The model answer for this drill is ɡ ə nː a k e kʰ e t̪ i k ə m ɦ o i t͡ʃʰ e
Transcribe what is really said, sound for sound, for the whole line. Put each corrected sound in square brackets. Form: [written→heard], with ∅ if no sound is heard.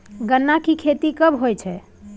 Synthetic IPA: ɡ ə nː a k [e→i] kʰ e t̪ i k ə [m→b] ɦ o [i→j] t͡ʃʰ [e→ɛ]